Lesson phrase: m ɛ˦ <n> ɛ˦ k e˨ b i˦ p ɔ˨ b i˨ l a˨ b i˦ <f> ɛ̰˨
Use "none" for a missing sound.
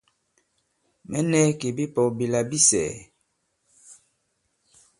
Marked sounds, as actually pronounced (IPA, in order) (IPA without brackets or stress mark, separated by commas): n, s